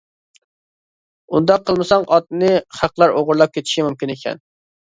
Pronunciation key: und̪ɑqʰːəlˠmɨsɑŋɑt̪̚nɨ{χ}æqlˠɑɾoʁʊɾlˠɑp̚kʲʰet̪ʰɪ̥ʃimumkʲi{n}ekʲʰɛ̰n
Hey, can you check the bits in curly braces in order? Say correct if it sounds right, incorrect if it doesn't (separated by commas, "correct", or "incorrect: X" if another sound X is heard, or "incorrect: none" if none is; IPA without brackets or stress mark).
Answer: correct, correct